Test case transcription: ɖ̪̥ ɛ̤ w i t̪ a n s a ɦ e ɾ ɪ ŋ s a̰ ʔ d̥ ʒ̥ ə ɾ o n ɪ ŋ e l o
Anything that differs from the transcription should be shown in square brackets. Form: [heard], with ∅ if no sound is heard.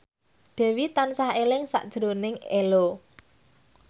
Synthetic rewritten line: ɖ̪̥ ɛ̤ w i t̪ a n s a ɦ e [l] ɪ ŋ s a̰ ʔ d̥ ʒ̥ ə ɾ o n ɪ ŋ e l o